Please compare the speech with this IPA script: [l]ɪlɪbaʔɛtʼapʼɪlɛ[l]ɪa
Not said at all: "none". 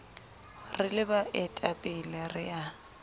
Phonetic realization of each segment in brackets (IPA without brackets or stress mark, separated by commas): r, r